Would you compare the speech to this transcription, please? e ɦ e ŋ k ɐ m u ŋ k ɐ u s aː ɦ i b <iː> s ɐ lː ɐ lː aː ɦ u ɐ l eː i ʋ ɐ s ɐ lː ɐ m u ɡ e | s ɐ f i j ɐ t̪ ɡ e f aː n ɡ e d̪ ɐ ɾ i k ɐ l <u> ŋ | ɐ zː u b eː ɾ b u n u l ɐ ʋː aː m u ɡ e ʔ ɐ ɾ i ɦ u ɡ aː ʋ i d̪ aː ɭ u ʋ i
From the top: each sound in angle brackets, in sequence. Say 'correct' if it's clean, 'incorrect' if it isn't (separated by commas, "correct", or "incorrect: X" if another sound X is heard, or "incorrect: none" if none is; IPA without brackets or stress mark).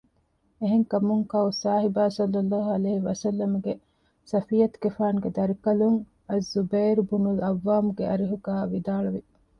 incorrect: aː, correct